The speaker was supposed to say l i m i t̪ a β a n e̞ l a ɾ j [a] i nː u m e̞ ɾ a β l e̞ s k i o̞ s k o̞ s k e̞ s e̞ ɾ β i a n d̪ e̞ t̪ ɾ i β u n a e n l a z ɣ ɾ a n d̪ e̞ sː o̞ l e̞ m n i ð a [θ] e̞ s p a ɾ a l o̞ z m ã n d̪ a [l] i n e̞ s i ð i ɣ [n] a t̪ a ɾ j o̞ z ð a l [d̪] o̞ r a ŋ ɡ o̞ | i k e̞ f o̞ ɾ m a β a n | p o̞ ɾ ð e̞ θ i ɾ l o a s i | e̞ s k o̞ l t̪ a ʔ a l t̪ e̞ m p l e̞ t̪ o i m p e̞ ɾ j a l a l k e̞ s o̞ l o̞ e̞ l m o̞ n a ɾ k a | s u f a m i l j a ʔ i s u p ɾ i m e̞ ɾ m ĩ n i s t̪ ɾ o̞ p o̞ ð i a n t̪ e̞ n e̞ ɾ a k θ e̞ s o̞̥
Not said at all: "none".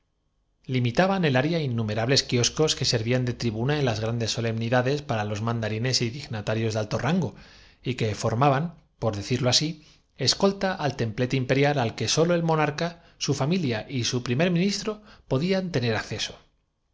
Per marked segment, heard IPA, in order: a, ð, ɾ, n, t̪

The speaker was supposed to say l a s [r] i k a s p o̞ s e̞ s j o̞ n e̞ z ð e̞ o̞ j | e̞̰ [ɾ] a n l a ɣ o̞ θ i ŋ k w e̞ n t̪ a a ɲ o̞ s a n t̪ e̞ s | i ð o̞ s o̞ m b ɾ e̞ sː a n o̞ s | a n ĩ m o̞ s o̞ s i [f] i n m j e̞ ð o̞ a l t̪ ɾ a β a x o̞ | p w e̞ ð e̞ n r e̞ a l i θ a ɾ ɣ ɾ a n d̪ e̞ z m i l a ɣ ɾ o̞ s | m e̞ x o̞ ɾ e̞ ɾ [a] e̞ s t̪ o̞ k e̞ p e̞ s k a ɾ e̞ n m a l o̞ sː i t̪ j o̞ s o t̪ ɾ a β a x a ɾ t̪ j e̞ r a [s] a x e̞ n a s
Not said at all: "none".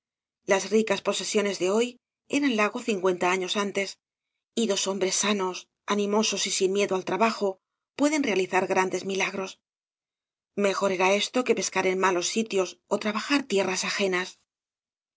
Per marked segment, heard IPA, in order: r, ɾ, s, a, s

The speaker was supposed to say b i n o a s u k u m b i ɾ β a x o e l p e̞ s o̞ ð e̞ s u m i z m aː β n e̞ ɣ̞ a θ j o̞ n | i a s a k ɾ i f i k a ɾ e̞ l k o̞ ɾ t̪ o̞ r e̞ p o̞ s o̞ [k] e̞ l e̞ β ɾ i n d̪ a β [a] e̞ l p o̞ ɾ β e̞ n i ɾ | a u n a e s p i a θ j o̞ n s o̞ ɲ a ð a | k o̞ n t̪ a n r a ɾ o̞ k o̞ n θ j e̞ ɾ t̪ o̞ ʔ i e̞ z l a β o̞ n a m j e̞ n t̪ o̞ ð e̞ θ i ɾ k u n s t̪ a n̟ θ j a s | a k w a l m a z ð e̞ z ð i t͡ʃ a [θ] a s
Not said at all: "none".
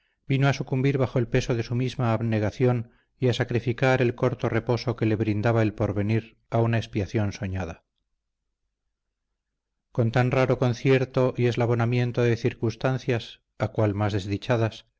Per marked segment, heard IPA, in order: k, a, ð

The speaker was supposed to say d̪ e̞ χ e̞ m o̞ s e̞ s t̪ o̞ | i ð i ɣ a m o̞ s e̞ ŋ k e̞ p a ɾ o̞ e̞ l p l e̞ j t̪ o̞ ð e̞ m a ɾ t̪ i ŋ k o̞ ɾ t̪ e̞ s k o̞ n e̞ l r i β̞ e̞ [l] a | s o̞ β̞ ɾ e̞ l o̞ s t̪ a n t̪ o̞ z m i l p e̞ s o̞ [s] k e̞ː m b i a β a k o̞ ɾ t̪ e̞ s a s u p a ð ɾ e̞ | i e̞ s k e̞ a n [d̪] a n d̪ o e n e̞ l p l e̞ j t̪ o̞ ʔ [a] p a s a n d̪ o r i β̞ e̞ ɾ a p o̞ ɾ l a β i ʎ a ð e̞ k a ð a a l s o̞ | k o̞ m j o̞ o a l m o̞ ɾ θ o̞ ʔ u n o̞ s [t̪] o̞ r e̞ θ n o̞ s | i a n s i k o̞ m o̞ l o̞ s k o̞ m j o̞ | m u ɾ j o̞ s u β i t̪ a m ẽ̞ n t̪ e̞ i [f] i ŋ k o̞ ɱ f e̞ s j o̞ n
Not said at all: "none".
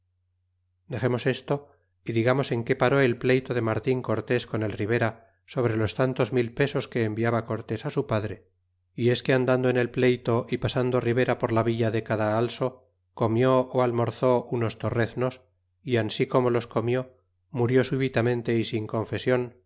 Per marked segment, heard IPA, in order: ɾ, s, d̪, i, t̪, s

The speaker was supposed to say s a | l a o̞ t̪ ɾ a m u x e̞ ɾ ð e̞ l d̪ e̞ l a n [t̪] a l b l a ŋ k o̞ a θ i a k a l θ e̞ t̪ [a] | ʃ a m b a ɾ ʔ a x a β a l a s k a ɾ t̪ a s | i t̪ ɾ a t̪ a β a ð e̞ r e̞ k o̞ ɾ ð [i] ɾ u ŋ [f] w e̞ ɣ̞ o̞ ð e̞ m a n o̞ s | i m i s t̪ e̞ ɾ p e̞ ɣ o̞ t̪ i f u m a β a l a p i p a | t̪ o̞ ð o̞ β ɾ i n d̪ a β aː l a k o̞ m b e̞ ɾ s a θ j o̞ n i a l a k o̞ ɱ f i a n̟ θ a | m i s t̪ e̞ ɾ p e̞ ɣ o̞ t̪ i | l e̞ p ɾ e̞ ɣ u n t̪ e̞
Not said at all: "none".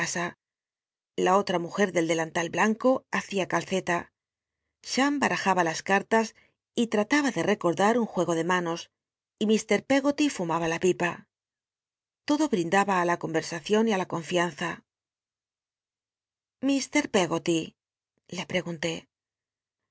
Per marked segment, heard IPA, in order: t̪, a, a, x

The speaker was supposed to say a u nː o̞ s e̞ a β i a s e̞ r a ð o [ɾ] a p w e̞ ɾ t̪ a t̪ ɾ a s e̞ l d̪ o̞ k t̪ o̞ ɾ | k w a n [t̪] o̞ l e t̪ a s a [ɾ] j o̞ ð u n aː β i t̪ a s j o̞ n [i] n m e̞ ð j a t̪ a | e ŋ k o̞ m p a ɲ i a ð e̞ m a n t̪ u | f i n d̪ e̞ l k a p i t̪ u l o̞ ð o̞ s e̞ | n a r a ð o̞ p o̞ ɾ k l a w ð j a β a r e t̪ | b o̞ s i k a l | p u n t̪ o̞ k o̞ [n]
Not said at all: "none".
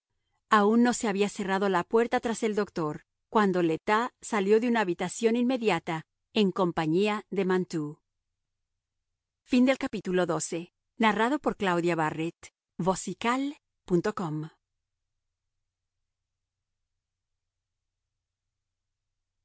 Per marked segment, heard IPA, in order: l, d̪, l, i, m

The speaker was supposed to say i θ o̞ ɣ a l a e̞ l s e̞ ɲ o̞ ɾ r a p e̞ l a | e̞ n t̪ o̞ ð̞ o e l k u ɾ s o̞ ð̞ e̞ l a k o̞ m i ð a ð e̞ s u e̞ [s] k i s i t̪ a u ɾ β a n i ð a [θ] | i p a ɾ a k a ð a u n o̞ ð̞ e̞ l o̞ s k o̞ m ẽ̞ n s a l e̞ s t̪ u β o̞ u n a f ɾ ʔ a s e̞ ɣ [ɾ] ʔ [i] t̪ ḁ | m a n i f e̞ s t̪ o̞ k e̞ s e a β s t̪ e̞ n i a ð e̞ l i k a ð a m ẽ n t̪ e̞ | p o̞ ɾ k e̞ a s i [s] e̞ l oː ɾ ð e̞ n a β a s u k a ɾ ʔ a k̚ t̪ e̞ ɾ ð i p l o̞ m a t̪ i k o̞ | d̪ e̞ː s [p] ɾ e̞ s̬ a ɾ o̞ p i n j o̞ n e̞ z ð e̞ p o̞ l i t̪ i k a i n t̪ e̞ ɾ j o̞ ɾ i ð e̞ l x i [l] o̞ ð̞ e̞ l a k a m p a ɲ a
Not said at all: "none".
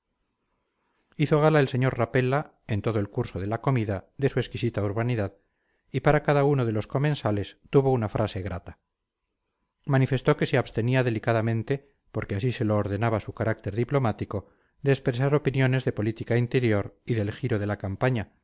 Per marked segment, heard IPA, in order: s, ð, ɾ, a, s, p, ɾ

